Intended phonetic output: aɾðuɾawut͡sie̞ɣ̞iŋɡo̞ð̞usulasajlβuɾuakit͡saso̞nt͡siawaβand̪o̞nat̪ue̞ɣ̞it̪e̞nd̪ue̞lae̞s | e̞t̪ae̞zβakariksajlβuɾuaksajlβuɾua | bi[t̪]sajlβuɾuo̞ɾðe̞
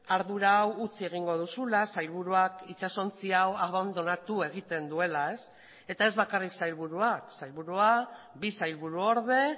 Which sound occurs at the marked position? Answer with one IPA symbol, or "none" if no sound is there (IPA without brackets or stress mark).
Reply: none